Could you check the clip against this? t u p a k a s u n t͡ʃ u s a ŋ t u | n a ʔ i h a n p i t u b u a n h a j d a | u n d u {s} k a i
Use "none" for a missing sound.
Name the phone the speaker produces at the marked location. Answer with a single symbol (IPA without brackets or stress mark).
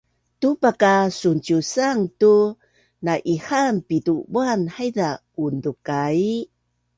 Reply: none